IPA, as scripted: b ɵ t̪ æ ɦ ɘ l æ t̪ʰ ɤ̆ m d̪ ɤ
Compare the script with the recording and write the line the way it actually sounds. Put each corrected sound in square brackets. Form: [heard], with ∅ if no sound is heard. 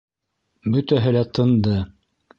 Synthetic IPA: b ɵ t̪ æ ɦ ɘ l æ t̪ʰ ɤ̆ [n] d̪ ɤ